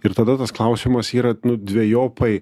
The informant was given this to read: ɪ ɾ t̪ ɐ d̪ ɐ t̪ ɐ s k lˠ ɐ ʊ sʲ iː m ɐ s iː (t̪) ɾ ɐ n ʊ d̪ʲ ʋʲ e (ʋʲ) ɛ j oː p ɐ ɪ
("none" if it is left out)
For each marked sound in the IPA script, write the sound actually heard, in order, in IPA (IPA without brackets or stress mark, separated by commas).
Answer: none, none